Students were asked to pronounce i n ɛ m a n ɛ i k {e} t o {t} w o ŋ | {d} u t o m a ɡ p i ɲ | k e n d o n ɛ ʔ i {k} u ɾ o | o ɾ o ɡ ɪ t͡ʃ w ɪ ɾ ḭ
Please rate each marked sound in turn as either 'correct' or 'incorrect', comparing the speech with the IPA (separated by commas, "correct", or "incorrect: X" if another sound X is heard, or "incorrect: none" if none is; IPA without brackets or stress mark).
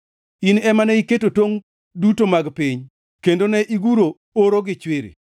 correct, correct, correct, incorrect: ɡ